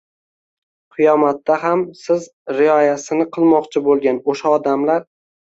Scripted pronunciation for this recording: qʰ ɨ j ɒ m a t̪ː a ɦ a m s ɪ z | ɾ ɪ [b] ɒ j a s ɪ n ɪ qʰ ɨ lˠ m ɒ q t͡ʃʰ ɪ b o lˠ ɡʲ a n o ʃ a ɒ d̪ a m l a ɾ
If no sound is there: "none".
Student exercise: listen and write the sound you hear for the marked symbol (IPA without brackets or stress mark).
none